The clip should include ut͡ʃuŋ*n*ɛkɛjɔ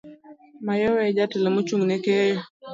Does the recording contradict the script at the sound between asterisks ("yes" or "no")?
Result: no